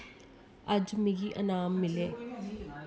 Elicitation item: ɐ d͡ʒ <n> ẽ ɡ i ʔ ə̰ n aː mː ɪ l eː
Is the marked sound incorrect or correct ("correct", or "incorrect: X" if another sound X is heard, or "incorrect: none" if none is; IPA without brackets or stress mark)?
incorrect: m